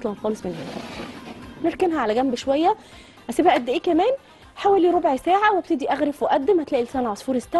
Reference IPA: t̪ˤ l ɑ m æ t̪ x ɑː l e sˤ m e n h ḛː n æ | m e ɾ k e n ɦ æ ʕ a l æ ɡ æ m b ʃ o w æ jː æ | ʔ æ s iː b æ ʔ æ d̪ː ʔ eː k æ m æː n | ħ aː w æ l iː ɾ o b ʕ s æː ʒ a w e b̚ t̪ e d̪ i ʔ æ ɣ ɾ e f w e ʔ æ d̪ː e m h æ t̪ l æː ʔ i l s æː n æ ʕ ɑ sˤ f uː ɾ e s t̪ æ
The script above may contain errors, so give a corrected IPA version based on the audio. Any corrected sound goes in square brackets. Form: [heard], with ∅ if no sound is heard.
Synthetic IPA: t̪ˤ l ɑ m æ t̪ x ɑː l e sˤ m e n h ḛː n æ | [n] e ɾ k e n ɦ æ ʕ a l æ ɡ æ m b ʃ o w æ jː æ | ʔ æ s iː b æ ʔ æ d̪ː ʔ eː k æ m æː n | ħ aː w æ l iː ɾ o b ʕ s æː [ʕ] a w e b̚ t̪ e d̪ i ʔ æ ɣ ɾ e f w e ʔ æ d̪ː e m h æ t̪ l æː ʔ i l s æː n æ ʕ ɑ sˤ f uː ɾ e s t̪ æ